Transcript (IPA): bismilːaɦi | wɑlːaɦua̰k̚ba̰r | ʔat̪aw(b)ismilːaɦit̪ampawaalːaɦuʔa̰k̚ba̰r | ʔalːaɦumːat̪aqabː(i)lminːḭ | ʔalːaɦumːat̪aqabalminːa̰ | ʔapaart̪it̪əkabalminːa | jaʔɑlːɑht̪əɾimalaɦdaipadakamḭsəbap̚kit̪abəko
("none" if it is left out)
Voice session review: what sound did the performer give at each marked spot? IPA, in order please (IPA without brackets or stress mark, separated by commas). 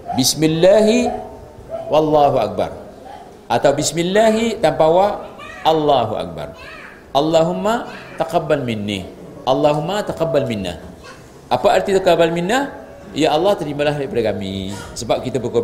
b, a